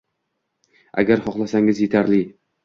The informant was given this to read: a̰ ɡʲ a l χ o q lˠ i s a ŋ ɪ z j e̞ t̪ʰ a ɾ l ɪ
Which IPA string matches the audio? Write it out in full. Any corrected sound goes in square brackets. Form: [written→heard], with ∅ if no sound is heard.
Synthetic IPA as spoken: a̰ ɡʲ a [l→ɾ] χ [o→ɒ] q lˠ [i→a] s a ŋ ɪ z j e̞ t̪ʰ a ɾ l ɪ